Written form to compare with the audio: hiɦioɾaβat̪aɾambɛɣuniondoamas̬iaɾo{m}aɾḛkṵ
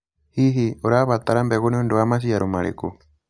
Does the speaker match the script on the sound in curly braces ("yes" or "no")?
yes